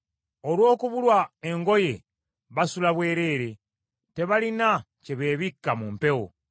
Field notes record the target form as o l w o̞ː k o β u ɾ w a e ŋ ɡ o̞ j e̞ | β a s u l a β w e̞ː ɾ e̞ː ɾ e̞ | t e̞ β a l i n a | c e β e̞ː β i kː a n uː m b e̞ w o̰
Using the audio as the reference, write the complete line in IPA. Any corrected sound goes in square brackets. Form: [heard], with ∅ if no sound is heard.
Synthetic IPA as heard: o l w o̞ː k [u] β u [l] w a e ŋ ɡ o̞ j e̞ | β a s u l a β w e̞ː ɾ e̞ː ɾ e̞ | t e̞ β a l i n a | c e β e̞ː β i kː a [m] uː m [p] e̞ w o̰